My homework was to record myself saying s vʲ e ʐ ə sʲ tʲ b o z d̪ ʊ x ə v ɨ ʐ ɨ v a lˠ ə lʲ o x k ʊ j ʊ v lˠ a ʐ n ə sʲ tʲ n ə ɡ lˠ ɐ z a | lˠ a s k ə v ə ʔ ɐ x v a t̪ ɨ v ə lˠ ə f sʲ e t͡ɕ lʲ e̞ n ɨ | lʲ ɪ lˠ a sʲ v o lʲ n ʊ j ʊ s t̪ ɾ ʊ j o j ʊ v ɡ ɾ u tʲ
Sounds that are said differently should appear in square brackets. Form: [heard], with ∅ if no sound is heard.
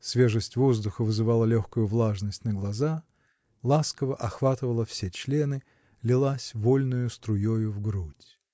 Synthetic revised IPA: s vʲ e ʐ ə sʲ tʲ [v] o z d̪ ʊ x ə v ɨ [z] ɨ v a lˠ ə lʲ o x k ʊ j ʊ v lˠ a ʐ n ə sʲ tʲ n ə ɡ lˠ ɐ z a | lˠ a s k ə v ə ʔ ɐ x v a t̪ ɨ v ə lˠ ə f sʲ e t͡ɕ lʲ e̞ n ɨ | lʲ ɪ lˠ a sʲ v o lʲ n ʊ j ʊ s t̪ ɾ ʊ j o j ʊ v ɡ ɾ u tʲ

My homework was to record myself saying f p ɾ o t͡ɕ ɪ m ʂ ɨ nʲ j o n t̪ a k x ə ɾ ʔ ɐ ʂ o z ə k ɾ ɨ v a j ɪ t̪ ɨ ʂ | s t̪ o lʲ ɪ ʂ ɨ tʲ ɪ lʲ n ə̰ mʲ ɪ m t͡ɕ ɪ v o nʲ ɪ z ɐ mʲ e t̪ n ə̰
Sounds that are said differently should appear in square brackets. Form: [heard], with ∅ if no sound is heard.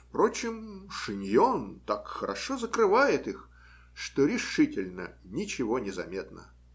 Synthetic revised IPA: f p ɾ o t͡ɕ ɪ m ʂ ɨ nʲ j o n t̪ a k x ə ɾ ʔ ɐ ʂ o z ə k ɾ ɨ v a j ɪ t̪ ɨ [x] | [ʂ] t̪ o [ɾʲ] ɪ ʂ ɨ tʲ ɪ lʲ n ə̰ [nʲ] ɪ [∅] t͡ɕ ɪ v o nʲ ɪ z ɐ mʲ e t̪ n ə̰

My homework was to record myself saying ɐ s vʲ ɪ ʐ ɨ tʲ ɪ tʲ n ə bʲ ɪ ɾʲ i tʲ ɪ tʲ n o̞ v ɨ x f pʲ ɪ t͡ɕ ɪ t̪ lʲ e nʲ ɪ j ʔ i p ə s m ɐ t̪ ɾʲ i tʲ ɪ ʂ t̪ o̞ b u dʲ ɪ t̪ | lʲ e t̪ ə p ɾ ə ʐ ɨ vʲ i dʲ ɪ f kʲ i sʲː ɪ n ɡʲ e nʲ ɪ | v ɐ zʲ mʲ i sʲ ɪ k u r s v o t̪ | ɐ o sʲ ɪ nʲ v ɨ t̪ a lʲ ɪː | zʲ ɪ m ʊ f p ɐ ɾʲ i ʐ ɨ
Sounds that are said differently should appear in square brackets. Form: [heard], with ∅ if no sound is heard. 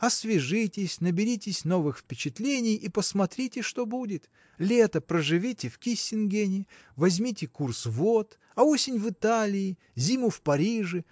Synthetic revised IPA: ɐ s vʲ ɪ ʐ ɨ tʲ ɪ [sʲ] n ə bʲ ɪ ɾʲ i tʲ ɪ [sʲ] n o̞ v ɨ x f pʲ ɪ t͡ɕ ɪ t̪ lʲ e nʲ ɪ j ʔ i p ə s m ɐ t̪ ɾʲ i tʲ ɪ ʂ t̪ o̞ b u dʲ ɪ t̪ | lʲ e t̪ ə p ɾ ə ʐ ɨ vʲ i [tʲ] ɪ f kʲ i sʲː ɪ n ɡʲ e nʲ ɪ | v ɐ zʲ mʲ i [tʲ] ɪ k u r s v o t̪ | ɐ o sʲ ɪ nʲ v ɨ t̪ a lʲ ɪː | zʲ [i] m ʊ f p ɐ ɾʲ i ʐ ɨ

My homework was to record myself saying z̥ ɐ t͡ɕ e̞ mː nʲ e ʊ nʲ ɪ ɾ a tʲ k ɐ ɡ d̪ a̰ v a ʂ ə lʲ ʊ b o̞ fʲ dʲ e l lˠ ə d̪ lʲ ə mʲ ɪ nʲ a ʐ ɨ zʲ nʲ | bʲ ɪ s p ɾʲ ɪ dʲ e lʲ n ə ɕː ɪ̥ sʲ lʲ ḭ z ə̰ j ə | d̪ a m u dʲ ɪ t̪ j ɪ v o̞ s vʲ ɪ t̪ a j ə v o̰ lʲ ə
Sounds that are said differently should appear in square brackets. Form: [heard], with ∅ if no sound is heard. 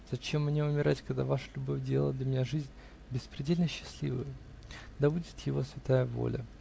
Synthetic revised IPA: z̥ ɐ t͡ɕ e̞ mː nʲ e ʊ [mʲ] ɪ ɾ a tʲ k ɐ ɡ d̪ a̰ v a ʂ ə lʲ ʊ b o̞ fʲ dʲ e l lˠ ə d̪ lʲ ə mʲ ɪ nʲ a ʐ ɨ zʲ nʲ | bʲ ɪ s p ɾʲ ɪ dʲ e lʲ n ə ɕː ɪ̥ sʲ lʲ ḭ [v] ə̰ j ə | d̪ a [b] u dʲ ɪ t̪ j ɪ v o̞ s vʲ ɪ t̪ a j ə v o̰ lʲ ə

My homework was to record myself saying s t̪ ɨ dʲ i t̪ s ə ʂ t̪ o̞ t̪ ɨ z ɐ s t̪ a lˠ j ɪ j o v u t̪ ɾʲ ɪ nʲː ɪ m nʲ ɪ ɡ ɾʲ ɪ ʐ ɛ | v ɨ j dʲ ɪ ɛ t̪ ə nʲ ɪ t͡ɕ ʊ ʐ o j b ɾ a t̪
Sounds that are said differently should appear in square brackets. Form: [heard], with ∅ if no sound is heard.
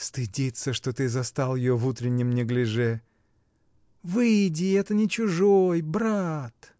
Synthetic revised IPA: s t̪ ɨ dʲ i t̪ s ə ʂ t̪ o̞ t̪ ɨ z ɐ s t̪ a lˠ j ɪ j o v u t̪ ɾʲ ɪ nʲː ɪ m nʲ ɪ ɡ [lʲ] ɪ ʐ ɛ | v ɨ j dʲ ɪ ɛ t̪ ə nʲ ɪ t͡ɕ ʊ ʐ o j b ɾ a t̪

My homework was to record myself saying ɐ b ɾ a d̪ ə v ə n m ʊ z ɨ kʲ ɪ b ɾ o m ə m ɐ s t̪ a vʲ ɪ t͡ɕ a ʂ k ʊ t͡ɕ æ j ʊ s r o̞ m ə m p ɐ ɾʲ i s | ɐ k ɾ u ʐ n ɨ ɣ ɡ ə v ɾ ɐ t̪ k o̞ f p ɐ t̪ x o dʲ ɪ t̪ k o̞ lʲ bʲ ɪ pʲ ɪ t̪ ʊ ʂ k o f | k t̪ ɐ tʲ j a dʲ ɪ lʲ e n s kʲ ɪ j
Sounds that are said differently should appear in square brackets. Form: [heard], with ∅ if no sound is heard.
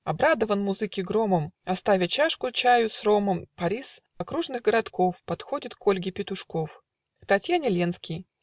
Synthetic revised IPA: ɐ b ɾ a d̪ ə v ə n m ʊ z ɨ kʲ ɪ [ɡ] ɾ o m ə m ɐ s t̪ a vʲ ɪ t͡ɕ a ʂ k ʊ t͡ɕ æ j ʊ s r o̞ m ə m p ɐ ɾʲ i s | ɐ k ɾ u ʐ n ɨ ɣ ɡ ə [∅] ɾ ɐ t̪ k o̞ f p ɐ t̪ x o dʲ ɪ t̪ k o̞ lʲ [ɡʲ] ɪ pʲ ɪ t̪ ʊ ʂ k o f | k t̪ ɐ tʲ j a [nʲ] ɪ lʲ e n s kʲ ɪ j

